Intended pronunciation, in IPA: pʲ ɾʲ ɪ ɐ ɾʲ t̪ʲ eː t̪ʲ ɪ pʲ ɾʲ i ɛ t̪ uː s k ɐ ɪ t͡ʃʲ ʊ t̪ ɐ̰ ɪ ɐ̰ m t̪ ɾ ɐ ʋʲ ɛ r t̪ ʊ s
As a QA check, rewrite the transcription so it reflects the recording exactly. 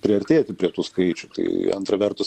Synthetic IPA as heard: pʲ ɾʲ ɪ ɐ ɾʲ t̪ʲ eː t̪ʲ ɪ pʲ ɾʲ i ɛ t̪ uː s k ɐ ɪ t͡ʃʲ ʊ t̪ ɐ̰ ɪ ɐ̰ n t̪ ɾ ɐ ʋʲ ɛ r t̪ ʊ s